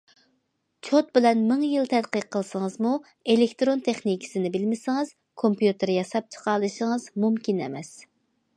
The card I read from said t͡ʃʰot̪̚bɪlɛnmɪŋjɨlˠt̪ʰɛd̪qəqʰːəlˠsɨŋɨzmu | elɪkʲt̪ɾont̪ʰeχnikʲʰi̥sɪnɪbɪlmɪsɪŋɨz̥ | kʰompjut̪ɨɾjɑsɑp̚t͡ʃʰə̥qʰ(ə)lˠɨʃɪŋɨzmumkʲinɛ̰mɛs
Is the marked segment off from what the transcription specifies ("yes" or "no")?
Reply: yes